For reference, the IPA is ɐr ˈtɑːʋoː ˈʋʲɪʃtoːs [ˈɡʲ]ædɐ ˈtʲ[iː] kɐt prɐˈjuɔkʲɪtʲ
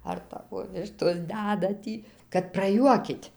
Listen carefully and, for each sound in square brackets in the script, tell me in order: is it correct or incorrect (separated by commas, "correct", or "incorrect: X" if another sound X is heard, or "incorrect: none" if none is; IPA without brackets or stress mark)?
incorrect: dʲ, correct